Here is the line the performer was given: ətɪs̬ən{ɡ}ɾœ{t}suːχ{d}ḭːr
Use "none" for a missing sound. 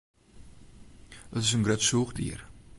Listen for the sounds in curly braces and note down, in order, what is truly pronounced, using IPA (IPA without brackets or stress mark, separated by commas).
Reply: ɡ, t, d